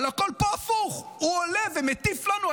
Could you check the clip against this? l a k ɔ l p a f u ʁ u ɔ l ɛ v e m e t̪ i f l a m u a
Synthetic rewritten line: l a k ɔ l p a f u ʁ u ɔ l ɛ v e m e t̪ i f l a n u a